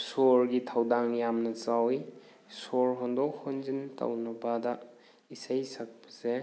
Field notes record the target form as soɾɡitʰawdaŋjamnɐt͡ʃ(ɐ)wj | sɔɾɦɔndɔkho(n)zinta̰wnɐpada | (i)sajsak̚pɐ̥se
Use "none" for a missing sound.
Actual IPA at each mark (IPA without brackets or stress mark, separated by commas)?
a, n, i